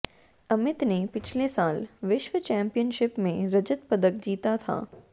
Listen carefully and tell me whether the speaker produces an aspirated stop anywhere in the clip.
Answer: yes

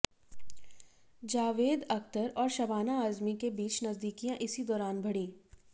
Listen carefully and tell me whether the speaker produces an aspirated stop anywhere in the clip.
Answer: no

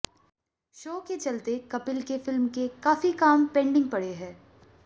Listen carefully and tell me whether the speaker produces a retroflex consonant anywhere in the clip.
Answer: yes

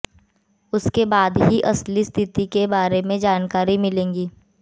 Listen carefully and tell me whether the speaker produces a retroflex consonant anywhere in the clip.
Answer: no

